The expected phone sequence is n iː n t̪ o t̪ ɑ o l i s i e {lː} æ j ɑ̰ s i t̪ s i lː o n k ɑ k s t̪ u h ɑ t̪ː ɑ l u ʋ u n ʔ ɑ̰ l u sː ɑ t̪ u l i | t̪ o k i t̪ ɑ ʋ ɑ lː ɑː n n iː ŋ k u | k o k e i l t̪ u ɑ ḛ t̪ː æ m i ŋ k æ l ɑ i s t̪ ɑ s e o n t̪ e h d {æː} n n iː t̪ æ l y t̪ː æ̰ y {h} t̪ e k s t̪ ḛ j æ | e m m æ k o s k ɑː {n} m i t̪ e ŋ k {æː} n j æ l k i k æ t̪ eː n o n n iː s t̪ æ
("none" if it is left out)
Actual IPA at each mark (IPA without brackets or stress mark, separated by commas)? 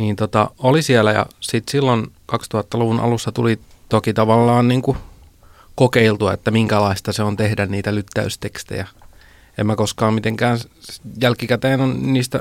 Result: l, æ, s, m, æː